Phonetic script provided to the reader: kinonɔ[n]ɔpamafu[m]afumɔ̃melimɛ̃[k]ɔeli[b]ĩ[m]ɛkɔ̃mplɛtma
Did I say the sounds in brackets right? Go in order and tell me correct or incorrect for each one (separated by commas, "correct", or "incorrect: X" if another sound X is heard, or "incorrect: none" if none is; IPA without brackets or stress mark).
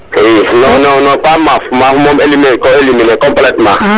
correct, correct, correct, incorrect: m, incorrect: n